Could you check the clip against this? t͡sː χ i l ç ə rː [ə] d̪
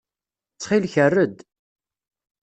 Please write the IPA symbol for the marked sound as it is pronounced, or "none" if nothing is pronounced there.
ə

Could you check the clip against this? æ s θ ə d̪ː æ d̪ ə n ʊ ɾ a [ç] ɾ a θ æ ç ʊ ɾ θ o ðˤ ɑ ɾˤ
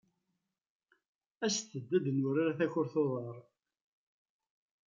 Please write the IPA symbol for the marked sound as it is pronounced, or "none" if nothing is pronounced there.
none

